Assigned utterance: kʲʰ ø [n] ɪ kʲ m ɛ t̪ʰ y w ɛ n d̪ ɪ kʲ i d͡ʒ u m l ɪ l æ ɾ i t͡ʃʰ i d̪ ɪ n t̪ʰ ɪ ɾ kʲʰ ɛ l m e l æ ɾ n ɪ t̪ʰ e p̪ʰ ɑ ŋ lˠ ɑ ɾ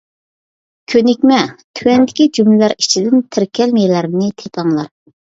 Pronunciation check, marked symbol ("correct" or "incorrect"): correct